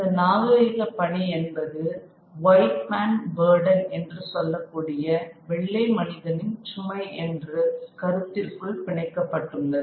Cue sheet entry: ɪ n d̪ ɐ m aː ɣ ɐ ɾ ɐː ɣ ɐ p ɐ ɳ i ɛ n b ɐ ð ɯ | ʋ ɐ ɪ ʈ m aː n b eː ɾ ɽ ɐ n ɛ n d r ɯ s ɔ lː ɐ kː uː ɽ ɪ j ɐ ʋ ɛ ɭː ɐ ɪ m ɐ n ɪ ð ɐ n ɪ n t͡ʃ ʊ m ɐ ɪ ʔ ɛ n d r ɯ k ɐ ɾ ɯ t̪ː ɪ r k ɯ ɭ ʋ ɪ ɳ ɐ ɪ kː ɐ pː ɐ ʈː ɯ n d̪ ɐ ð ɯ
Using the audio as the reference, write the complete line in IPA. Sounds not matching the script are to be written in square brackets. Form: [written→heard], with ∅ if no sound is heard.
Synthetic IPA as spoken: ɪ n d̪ ɐ [m→n] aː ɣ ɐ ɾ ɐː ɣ ɐ p ɐ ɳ i ɛ n b ɐ ð ɯ | ʋ ɐ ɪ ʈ m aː n b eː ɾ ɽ ɐ n ɛ n d r ɯ s ɔ lː ɐ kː uː ɽ ɪ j ɐ ʋ ɛ ɭː ɐ ɪ m ɐ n ɪ ð ɐ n ɪ n t͡ʃ ʊ m ɐ ɪ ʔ ɛ n d r ɯ k ɐ ɾ ɯ t̪ː ɪ r k ɯ ɭ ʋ ɪ ɳ ɐ ɪ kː ɐ pː ɐ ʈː ɯ n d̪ ɐ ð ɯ